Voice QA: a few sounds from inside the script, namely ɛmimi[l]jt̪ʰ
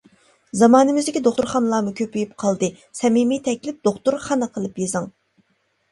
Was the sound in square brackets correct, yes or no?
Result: no